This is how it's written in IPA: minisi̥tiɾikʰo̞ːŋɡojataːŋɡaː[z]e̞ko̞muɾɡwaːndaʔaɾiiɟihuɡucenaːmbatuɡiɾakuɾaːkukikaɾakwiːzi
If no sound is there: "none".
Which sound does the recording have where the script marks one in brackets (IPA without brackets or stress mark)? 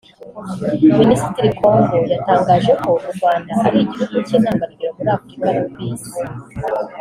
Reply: ʒ